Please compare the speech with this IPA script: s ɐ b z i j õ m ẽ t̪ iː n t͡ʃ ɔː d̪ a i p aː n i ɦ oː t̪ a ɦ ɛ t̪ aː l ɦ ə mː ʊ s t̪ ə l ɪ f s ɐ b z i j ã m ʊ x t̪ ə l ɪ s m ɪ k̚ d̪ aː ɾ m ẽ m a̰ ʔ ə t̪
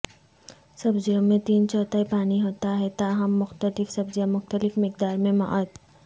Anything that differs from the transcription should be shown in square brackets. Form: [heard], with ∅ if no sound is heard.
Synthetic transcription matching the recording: s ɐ b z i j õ m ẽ t̪ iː n t͡ʃ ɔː [t̪] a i p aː n i ɦ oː t̪ a ɦ ɛ t̪ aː [∅] ɦ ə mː ʊ [x] t̪ ə l ɪ f s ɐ b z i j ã m ʊ x t̪ ə l ɪ [f] m ɪ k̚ d̪ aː ɾ m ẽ m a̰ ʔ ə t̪